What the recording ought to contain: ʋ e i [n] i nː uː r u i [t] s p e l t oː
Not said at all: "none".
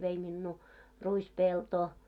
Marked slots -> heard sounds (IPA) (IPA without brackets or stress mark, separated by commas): m, none